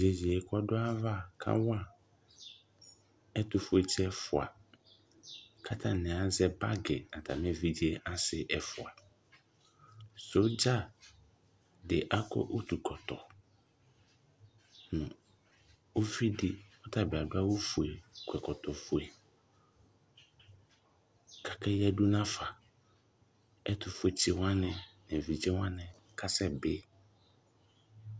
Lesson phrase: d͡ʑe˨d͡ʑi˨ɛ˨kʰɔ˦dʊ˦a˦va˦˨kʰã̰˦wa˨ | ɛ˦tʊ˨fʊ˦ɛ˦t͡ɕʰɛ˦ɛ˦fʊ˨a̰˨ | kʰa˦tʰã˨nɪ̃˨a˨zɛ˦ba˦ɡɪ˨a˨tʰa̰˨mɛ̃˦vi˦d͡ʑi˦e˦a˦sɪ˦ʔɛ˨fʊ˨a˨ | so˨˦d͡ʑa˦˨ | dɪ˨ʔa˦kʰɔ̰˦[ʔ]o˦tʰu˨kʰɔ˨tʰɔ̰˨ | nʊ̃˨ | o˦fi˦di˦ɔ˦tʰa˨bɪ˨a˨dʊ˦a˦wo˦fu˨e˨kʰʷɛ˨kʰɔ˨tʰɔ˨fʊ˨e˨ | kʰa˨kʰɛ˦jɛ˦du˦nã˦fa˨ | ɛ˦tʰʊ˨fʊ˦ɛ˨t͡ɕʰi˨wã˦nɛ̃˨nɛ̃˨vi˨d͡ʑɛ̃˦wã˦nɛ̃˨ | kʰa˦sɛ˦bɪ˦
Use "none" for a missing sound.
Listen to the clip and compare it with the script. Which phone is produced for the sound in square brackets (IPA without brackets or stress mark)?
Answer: ʔ